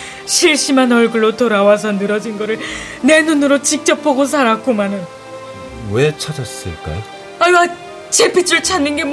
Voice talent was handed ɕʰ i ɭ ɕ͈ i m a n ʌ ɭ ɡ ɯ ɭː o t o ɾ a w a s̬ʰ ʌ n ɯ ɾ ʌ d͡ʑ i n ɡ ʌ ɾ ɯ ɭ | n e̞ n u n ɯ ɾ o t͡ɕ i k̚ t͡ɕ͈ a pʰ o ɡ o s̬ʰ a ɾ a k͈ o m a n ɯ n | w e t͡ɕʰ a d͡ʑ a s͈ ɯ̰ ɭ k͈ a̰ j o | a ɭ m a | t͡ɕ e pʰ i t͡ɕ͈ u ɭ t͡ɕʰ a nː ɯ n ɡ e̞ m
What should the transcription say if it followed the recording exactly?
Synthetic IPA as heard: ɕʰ i ɭ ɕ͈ i m a n ʌ ɭ ɡ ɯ ɭː o t o ɾ a w a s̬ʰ ʌ n ɯ ɾ ʌ d͡ʑ i n ɡ ʌ ɾ ɯ ɭ | n e̞ n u n ɯ ɾ o t͡ɕ i k̚ t͡ɕ͈ ʌ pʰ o ɡ o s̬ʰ a ɾ a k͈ o m a n ɯ n | w e t͡ɕʰ a d͡ʑ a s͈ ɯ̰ ɭ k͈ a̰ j o | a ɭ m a | t͡ɕ e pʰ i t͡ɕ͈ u ɭ t͡ɕʰ a nː ɯ n ɡ e̞ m